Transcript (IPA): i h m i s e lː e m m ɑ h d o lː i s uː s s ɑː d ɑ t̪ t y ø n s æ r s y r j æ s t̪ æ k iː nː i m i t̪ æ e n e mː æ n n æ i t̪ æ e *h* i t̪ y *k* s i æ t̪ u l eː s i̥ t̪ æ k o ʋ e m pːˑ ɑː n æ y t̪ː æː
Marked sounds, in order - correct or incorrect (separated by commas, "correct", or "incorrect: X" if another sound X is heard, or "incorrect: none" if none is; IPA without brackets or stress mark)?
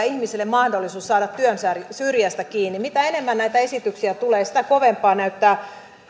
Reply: incorrect: s, correct